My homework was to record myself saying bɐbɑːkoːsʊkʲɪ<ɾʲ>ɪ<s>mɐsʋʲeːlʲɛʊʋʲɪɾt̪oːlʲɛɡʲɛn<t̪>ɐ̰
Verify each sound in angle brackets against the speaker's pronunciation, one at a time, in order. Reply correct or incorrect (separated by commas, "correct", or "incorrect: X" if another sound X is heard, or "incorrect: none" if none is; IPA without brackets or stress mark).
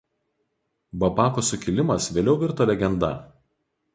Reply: incorrect: lʲ, incorrect: none, incorrect: d̪